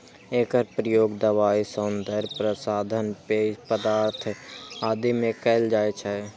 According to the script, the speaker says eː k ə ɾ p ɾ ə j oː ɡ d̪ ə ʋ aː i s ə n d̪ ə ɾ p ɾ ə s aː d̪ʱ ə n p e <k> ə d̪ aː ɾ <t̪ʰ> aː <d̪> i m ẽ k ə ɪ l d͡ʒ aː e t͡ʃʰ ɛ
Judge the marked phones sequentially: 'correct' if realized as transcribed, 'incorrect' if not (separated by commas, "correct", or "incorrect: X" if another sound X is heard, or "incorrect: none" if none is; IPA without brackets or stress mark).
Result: incorrect: p, correct, correct